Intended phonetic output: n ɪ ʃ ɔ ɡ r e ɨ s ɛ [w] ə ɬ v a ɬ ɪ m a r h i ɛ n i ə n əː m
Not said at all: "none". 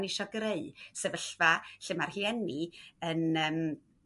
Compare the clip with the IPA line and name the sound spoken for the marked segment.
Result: v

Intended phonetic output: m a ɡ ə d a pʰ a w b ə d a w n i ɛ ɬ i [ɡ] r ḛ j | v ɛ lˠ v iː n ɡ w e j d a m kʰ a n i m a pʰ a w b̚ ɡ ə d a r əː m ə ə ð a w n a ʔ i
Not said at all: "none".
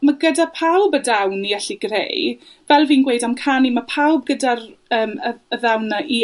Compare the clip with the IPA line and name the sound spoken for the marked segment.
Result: ɡ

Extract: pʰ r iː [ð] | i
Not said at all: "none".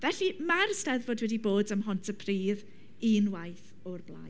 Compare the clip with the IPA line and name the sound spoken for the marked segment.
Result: ð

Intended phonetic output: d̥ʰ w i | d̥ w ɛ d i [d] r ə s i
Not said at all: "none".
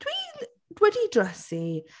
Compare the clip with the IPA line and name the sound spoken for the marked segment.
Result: d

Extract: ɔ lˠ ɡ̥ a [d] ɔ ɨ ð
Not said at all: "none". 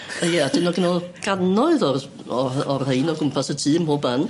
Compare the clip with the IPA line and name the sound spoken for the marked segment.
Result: n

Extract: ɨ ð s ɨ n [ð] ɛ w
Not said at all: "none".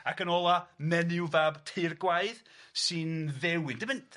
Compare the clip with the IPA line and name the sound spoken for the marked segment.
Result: ð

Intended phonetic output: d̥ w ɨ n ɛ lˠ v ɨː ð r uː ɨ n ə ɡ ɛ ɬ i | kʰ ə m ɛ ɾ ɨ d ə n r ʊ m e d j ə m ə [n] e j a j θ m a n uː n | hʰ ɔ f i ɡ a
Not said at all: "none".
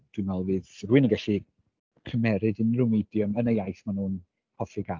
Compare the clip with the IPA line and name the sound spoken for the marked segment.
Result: n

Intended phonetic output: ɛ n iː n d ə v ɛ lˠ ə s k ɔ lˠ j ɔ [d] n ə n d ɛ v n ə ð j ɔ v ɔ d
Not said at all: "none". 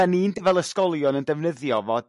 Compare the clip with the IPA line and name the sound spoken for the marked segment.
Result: none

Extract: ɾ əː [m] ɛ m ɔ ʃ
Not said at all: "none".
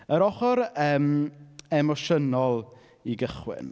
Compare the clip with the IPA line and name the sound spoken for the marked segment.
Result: m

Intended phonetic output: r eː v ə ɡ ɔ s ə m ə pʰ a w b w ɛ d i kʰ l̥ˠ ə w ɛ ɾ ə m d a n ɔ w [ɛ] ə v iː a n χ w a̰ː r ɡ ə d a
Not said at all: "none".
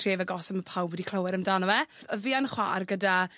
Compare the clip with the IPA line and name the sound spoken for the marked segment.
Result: ɛ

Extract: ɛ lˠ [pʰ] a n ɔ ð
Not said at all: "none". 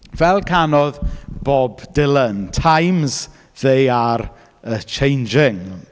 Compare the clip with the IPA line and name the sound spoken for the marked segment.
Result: kʰ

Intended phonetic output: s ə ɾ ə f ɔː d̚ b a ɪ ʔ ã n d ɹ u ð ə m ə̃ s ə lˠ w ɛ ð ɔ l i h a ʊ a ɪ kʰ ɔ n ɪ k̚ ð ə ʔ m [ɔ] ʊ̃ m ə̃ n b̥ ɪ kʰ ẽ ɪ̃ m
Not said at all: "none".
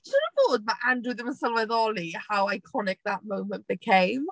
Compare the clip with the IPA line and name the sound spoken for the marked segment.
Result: o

